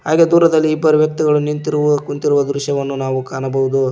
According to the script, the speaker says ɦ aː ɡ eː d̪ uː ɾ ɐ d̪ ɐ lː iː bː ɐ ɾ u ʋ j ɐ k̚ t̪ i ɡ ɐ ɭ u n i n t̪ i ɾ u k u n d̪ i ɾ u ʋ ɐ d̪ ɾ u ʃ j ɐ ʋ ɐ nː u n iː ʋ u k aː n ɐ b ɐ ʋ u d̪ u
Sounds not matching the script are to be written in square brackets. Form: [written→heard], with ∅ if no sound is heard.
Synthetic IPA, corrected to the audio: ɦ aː ɡ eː d̪ uː ɾ ɐ d̪ ɐ lː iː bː ɐ ɾ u ʋ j ɐ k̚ t̪ i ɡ ɐ ɭ u n i n t̪ i ɾ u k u n [d̪→t̪] i ɾ u ʋ ɐ d̪ ɾ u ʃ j ɐ ʋ ɐ nː u n [iː→aː] ʋ u k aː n ɐ b ɐ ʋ u d̪ u